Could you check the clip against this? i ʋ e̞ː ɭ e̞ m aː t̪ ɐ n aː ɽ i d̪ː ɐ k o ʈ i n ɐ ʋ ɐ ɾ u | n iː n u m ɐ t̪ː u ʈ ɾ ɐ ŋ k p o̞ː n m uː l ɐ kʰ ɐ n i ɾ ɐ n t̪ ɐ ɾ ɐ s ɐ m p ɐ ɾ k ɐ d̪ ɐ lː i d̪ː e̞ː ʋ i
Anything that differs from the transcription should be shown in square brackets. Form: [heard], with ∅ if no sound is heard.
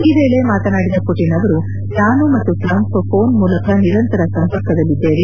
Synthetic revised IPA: i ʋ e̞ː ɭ e̞ m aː t̪ ɐ n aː ɽ i [d̪] ɐ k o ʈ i n ɐ ʋ ɐ ɾ u | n [aː] n u m ɐ t̪ː u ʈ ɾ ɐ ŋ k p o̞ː n m uː l ɐ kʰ ɐ n i ɾ ɐ n t̪ ɐ ɾ ɐ s ɐ m p ɐ ɾ k ɐ d̪ ɐ lː i d̪ː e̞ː ʋ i